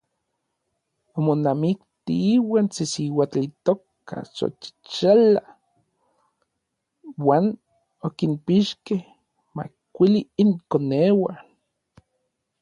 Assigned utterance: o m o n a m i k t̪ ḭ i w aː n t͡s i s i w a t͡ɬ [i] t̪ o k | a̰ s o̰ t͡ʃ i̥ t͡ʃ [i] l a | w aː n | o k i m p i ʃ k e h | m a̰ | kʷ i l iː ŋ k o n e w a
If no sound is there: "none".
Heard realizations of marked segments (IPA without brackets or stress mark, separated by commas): i, a